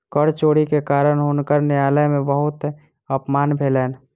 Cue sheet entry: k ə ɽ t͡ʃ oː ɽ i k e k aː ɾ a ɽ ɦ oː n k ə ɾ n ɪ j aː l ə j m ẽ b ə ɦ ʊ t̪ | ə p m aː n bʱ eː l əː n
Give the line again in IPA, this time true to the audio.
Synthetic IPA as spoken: k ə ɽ t͡ʃ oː ɽ i k e k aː ɾ ə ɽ ɦ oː n k ə ɾ n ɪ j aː l ə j m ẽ b ə ɦ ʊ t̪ | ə p m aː n bʱ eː l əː n

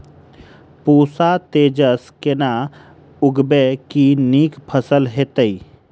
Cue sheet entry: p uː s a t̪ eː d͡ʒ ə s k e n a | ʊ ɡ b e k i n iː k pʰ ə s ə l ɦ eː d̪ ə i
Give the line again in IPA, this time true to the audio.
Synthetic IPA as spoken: p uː s a t̪ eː d͡ʒ ə s k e n a | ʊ ɡ b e k i n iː k pʰ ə s ə l ɦ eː t̪ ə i

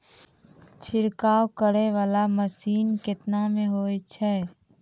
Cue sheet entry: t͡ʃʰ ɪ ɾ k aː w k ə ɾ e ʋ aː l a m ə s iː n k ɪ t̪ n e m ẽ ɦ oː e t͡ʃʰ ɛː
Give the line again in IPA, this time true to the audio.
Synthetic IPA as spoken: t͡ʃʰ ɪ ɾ k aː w k ə ɾ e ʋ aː l a m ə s iː n k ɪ t̪ n a m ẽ ɦ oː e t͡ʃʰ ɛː

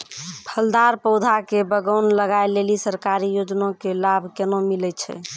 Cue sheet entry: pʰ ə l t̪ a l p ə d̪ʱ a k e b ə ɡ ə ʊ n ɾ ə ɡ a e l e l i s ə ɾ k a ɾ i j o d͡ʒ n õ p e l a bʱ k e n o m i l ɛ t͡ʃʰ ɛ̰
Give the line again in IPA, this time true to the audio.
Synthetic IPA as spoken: pʰ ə l d̪ a ɾ p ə d̪ʱ a k e b ə ɡ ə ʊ n l ə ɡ a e l e l i s ə ɾ k a ɾ i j o d͡ʒ n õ k e l a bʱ k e n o m i l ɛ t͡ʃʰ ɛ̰

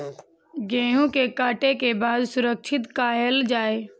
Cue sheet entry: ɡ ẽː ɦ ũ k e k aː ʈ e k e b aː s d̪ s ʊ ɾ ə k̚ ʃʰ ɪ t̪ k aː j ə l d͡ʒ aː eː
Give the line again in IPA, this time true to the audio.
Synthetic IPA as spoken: ɡ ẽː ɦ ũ k e k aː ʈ e k e b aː d̪ s ʊ ɾ ə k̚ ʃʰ ɪ t̪ k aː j ə l d͡ʒ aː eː

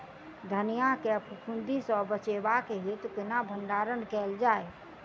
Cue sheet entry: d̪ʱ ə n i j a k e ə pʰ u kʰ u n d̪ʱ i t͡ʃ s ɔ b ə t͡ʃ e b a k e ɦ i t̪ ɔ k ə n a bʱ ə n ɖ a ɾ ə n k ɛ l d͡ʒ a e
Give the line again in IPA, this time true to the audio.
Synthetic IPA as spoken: d̪ʱ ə n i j a k e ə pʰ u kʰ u n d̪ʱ i s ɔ b ə t͡ʃ e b a k e ɦ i t̪ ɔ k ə n a bʱ ə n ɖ a ɾ ə n k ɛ l d͡ʒ a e

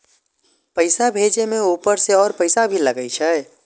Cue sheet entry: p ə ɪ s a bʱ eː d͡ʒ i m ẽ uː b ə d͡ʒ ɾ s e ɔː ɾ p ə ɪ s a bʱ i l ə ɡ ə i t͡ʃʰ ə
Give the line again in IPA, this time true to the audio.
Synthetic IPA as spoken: p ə ɪ s a bʱ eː d͡ʒ e m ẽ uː p ə ɾ s e ɔː ɾ p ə ɪ s a bʱ i l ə ɡ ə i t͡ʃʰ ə

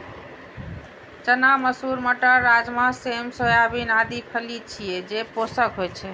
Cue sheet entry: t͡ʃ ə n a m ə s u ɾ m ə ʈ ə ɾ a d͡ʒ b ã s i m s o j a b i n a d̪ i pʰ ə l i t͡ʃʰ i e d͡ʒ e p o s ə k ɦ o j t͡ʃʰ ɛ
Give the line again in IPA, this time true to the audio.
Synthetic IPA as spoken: t͡ʃ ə n a m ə s u ɾ m ə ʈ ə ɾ a d͡ʒ m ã s e m s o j a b i n a d̪ i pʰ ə l i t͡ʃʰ i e d͡ʒ e p o s ə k ɦ o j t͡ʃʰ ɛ

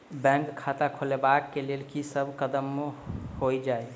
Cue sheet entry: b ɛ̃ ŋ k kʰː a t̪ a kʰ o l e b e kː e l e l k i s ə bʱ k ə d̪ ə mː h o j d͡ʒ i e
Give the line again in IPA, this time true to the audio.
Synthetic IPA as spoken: b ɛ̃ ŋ k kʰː a t̪ a kʰ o l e b a kː e l e l k i s ə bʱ k ə d̪ ə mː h o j d͡ʒ a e

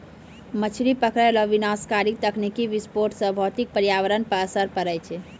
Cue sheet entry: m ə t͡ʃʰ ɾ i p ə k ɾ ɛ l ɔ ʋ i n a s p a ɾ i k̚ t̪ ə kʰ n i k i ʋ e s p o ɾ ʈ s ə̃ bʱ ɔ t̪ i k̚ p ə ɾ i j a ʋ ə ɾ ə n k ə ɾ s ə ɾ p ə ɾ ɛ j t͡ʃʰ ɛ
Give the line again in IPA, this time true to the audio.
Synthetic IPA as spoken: m ə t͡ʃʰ ɾ i p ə k ɾ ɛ l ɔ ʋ i n a s k a ɾ i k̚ t̪ ə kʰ n i k i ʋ i s p o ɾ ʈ s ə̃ bʱ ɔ t̪ i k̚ p ə ɾ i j a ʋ ə ɾ ə n p ə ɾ s ə ɾ p ə ɾ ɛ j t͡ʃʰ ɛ

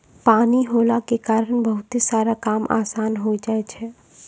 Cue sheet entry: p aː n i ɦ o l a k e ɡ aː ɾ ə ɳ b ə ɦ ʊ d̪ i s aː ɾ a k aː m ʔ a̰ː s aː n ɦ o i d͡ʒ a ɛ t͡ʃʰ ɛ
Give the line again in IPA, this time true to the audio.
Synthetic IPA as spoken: p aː n i ɦ o l a k e k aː ɾ ə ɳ b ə ɦ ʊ t̪ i s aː ɾ a k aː m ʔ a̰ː s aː n ɦ o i d͡ʒ a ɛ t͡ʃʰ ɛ

